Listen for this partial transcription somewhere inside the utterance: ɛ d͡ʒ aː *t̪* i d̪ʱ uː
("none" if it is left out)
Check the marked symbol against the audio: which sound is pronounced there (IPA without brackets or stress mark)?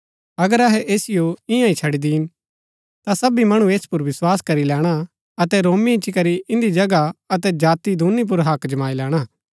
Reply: t̪